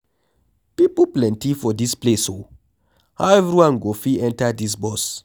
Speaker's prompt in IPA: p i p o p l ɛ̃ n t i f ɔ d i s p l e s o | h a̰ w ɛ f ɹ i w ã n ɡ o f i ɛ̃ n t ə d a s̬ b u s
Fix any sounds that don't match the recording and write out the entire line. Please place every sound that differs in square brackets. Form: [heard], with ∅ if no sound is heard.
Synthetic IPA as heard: p i p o p l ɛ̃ n t i f ɔ d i s p l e s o | h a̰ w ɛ [v] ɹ i w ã n ɡ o f i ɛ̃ n t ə d [i] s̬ b [ɔ] s